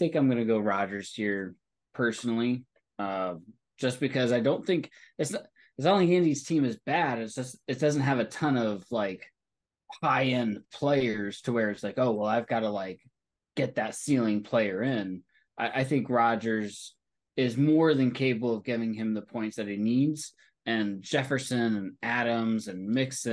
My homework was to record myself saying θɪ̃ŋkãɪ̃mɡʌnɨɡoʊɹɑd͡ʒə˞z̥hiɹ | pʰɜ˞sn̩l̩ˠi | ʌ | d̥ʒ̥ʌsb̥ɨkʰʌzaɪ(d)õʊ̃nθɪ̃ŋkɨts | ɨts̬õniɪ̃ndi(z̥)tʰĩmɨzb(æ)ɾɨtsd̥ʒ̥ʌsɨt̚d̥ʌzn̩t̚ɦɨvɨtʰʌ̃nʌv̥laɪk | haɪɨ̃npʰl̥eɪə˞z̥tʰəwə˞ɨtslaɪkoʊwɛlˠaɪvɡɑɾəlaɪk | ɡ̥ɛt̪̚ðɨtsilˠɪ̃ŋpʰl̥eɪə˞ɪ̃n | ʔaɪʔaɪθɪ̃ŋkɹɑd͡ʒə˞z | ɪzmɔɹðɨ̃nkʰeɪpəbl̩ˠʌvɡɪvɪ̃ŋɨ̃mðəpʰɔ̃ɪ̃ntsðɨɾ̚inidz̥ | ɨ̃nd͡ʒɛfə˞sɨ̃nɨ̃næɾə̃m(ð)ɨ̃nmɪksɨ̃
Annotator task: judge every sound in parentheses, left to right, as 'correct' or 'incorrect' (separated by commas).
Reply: correct, correct, correct, incorrect